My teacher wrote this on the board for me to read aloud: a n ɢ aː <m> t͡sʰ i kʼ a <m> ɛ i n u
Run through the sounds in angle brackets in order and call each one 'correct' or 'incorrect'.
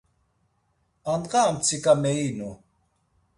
correct, correct

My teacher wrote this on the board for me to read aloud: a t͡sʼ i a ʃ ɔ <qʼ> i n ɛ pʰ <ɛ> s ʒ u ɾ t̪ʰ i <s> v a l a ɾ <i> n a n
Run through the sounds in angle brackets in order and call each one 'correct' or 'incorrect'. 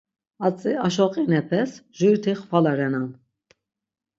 correct, correct, incorrect, incorrect

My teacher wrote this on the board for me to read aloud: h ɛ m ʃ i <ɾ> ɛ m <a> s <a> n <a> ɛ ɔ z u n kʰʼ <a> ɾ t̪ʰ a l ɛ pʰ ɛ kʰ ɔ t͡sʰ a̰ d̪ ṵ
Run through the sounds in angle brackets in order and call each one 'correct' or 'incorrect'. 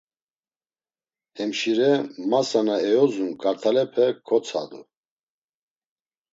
correct, correct, correct, correct, correct

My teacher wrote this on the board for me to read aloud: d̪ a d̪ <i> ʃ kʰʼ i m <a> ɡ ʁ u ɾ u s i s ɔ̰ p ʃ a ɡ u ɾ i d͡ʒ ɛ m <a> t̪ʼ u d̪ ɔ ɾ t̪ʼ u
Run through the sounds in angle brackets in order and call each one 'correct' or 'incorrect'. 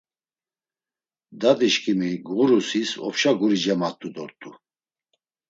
correct, incorrect, correct

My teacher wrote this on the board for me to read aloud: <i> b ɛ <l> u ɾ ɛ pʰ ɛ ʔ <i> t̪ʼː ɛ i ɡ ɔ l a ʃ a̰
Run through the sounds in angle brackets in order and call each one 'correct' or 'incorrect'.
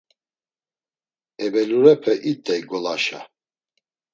incorrect, correct, correct

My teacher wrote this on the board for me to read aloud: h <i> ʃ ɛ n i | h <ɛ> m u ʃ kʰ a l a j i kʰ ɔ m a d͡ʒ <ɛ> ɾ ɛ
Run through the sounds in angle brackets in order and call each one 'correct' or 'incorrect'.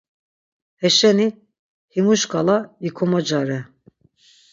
incorrect, incorrect, incorrect

